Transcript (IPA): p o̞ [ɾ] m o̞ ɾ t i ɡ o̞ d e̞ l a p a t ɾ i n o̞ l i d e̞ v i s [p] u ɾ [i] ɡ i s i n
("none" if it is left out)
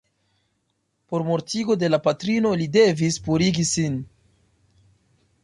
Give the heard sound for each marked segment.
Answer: ɾ, p, i

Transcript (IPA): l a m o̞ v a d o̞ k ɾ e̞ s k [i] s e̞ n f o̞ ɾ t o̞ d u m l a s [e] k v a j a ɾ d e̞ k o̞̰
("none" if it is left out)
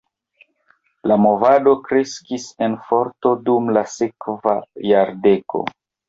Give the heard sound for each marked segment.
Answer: i, e

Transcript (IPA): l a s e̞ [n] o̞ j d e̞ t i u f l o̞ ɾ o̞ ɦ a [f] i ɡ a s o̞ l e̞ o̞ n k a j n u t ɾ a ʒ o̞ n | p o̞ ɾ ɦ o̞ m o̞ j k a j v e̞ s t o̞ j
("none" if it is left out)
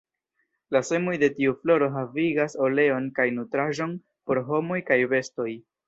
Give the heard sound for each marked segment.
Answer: m, v

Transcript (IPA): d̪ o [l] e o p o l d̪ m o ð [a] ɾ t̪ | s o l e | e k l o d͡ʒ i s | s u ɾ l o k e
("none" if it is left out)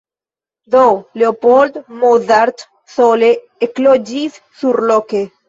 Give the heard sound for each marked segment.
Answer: l, a

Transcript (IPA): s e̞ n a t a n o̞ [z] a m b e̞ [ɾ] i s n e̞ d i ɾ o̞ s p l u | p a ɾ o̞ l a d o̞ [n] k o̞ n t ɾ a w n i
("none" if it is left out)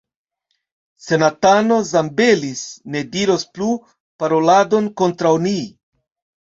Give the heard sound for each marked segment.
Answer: z, l, n

